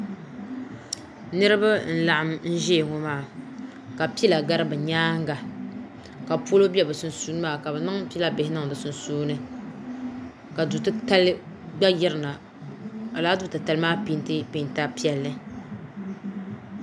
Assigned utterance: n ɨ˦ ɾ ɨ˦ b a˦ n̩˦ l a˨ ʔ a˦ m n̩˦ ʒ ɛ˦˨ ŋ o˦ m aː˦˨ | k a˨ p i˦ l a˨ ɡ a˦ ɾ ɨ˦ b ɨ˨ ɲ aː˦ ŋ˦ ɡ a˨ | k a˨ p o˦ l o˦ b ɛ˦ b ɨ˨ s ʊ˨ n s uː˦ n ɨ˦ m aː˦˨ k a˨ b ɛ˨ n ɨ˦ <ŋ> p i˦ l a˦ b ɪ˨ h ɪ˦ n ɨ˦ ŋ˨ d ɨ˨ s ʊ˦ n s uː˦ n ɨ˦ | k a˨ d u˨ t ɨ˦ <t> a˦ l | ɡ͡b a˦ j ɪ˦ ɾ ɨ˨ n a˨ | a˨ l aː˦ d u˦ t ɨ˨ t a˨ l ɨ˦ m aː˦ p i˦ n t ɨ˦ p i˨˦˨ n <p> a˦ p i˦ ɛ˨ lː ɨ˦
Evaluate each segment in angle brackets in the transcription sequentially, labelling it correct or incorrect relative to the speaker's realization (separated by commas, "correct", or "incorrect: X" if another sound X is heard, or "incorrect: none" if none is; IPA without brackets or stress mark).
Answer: correct, correct, incorrect: t